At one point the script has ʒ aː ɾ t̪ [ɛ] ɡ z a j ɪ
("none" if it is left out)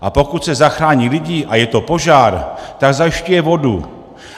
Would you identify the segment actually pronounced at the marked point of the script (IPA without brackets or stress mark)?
a